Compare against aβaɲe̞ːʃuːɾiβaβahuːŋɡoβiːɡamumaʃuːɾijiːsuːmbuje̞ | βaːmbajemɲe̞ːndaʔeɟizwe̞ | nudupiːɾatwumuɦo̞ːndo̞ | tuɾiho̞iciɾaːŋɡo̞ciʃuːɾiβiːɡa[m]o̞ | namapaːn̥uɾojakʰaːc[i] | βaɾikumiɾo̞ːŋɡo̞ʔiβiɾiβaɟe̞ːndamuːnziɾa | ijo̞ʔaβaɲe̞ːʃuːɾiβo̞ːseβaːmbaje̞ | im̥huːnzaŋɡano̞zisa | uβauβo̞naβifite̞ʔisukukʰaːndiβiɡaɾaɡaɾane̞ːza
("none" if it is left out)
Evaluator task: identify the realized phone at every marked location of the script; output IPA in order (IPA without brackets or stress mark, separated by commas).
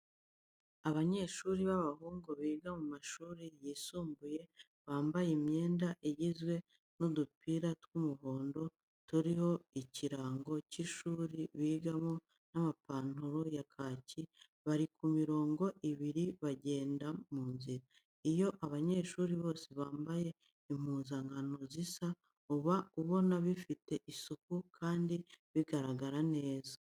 m, i